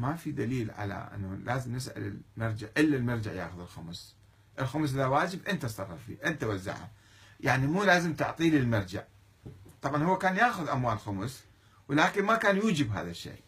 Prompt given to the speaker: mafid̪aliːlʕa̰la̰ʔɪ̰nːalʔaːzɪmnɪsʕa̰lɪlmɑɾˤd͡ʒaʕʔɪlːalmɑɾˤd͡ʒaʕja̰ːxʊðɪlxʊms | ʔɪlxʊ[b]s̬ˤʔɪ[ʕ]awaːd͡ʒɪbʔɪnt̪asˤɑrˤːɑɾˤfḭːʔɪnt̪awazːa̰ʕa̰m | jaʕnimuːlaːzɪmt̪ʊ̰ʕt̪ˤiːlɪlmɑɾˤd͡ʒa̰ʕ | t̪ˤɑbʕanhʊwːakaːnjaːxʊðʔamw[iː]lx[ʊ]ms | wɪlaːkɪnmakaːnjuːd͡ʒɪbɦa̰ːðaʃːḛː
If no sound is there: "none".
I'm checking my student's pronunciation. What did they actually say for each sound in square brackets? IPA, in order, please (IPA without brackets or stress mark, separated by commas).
m, ð, aː, ʊ